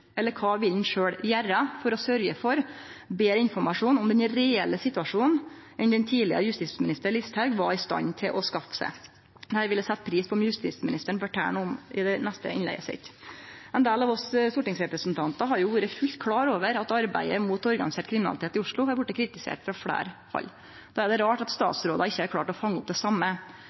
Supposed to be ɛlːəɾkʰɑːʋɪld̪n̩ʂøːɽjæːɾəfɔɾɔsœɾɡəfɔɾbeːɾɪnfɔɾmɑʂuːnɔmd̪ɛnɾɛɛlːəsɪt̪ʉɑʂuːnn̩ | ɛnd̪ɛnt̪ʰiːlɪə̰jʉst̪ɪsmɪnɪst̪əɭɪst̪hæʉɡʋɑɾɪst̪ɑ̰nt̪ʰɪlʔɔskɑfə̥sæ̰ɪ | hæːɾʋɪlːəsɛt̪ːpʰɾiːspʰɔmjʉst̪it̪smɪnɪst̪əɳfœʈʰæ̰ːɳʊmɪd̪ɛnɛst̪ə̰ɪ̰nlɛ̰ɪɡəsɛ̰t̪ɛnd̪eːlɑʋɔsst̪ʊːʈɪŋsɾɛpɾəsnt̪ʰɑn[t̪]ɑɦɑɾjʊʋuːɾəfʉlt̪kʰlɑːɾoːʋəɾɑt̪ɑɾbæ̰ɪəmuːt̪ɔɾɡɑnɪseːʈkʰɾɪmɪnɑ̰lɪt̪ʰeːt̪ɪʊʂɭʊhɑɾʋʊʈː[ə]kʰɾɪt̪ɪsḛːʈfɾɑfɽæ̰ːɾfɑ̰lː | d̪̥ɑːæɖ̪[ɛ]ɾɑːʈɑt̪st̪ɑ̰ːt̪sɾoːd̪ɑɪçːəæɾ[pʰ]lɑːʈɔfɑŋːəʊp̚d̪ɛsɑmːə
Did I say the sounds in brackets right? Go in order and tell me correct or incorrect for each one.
correct, correct, correct, incorrect: kʰ

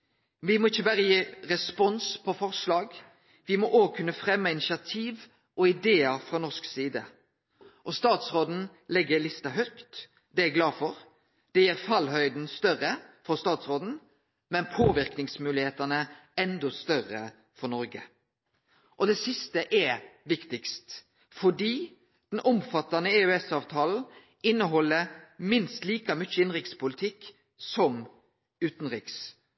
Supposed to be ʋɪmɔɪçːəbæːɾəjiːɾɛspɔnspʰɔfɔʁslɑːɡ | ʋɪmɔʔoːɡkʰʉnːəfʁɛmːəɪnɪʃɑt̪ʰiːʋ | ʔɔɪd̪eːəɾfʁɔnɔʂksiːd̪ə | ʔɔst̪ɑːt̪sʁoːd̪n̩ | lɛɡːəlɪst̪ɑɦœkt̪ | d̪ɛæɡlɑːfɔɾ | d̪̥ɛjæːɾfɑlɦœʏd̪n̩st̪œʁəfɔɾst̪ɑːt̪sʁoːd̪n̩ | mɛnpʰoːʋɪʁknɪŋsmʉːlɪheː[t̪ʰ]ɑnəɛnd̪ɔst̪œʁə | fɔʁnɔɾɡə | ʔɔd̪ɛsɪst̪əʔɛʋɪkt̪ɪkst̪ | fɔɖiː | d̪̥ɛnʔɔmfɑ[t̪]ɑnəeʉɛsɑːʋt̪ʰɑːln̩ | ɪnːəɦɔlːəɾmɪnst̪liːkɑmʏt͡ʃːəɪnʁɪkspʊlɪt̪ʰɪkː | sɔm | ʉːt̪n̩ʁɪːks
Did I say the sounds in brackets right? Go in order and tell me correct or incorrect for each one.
incorrect: t̪, correct

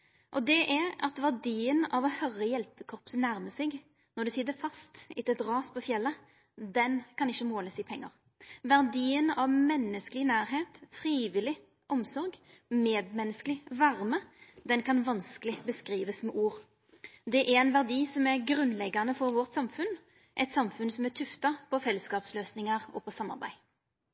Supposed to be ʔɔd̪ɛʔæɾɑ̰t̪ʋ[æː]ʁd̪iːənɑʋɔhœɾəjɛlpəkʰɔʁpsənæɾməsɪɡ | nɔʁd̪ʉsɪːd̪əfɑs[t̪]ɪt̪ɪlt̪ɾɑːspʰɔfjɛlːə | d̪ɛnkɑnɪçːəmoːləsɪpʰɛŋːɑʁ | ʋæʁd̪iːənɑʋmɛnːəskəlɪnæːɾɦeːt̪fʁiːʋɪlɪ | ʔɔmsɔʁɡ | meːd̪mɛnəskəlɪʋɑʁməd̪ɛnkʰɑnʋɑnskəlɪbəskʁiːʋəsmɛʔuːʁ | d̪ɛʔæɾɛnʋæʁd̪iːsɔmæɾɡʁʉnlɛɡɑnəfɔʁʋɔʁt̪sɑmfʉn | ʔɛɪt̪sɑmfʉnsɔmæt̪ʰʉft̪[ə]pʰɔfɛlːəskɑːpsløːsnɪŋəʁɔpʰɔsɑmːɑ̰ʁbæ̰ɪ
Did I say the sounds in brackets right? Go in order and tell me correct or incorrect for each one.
incorrect: æ, correct, incorrect: ɑ

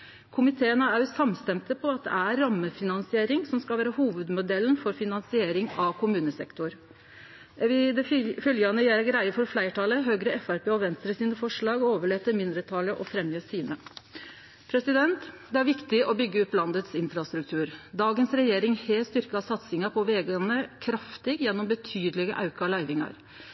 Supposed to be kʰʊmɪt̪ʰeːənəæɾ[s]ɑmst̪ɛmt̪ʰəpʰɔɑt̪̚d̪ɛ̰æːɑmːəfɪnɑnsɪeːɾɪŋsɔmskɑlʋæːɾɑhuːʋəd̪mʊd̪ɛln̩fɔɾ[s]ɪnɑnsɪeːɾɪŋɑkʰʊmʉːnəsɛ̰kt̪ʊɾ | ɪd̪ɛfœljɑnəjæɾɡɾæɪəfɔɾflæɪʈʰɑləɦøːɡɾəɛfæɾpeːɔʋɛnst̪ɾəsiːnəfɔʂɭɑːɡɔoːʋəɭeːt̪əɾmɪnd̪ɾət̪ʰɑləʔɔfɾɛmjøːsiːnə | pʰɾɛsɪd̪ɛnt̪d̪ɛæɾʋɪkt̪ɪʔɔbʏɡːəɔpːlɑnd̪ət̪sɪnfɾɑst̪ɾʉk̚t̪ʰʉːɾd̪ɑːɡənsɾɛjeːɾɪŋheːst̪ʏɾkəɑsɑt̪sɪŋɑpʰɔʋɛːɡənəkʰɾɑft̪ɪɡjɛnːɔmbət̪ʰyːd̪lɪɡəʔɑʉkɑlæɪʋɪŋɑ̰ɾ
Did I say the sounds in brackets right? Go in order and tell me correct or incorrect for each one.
correct, incorrect: f

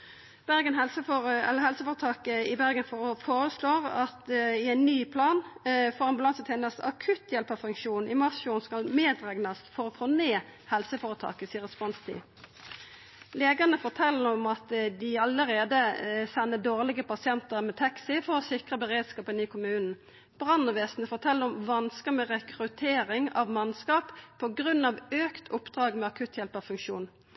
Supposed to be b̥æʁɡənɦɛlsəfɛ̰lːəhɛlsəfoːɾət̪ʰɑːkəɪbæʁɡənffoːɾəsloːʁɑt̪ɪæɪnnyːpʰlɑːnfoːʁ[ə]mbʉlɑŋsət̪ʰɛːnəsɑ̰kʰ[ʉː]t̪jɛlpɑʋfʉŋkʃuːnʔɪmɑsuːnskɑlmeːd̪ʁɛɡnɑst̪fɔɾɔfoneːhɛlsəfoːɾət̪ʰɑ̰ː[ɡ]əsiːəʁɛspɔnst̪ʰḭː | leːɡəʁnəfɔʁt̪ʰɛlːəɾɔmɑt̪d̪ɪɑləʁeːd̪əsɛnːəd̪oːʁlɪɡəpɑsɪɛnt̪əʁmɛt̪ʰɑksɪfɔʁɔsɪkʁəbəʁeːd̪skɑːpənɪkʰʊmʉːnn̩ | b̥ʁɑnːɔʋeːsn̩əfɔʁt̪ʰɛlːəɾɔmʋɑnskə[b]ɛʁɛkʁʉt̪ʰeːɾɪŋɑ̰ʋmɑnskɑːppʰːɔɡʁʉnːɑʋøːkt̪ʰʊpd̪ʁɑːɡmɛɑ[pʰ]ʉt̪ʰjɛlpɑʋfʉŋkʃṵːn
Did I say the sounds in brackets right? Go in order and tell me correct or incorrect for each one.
incorrect: ɑ, incorrect: ʉ, incorrect: k, incorrect: m, incorrect: kʰ

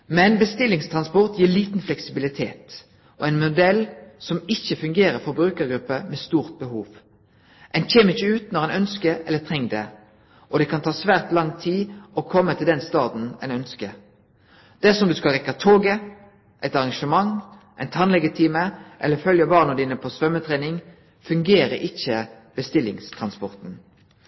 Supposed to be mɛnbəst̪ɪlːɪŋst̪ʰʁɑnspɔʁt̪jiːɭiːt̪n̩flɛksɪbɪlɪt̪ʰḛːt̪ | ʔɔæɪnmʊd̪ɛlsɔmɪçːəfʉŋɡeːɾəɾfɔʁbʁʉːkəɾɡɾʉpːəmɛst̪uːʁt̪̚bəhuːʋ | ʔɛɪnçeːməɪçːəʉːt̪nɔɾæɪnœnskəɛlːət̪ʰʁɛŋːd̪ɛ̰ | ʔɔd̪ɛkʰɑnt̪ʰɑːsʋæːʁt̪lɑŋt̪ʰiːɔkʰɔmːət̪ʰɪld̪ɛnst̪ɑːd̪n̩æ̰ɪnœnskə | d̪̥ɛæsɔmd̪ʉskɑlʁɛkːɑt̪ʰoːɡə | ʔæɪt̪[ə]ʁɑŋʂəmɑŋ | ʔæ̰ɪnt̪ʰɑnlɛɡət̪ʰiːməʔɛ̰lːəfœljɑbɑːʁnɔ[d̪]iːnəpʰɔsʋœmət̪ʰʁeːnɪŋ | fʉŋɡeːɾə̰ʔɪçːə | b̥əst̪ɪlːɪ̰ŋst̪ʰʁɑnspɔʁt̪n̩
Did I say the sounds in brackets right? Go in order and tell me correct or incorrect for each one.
incorrect: ɑ, correct

